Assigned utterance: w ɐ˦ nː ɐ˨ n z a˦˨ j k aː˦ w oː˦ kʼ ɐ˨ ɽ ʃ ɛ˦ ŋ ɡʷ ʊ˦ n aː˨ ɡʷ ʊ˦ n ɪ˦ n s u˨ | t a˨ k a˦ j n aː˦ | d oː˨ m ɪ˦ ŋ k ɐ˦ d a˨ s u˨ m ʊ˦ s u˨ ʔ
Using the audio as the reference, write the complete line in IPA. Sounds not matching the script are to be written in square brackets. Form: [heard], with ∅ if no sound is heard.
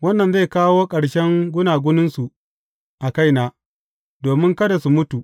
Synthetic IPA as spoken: w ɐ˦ nː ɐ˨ n z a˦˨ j k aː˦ w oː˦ kʼ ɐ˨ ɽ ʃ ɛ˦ ŋ ɡʷ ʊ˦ n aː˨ ɡʷ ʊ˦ n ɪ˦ n s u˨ | [ʔ] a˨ k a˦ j n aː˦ | d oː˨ m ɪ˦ ŋ k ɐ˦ d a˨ s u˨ m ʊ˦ [t] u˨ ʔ